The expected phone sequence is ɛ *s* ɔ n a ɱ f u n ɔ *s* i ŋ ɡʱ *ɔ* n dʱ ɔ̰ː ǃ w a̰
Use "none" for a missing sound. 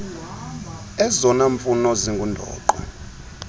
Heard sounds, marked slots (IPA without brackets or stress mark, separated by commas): z, z, u